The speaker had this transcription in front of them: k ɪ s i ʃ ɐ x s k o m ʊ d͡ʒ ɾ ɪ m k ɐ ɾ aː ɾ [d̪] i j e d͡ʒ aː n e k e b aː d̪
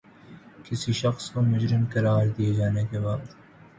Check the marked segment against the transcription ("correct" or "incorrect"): correct